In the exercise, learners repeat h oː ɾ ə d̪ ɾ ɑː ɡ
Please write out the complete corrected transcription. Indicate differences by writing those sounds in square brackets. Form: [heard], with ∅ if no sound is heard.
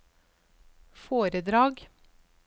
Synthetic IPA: [f] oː ɾ ə d̪ ɾ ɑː ɡ